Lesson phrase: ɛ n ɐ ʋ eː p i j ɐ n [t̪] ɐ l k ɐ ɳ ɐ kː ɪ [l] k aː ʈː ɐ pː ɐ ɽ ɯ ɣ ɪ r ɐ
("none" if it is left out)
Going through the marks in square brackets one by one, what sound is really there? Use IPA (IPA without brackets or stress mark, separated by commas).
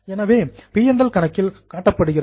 d̪, l